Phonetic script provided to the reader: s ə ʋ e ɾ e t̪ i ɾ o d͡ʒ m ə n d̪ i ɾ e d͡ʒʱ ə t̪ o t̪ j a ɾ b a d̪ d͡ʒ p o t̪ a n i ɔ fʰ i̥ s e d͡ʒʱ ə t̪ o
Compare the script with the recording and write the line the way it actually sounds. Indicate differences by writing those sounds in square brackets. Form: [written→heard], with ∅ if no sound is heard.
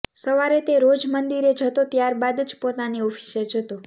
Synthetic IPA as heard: s ə ʋ [e→a] ɾ e t̪ [i→e] ɾ o d͡ʒ m ə n d̪ i ɾ e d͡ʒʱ ə t̪ o t̪ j a ɾ b a d̪ d͡ʒ p o t̪ a n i ɔ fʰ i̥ s e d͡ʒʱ ə t̪ o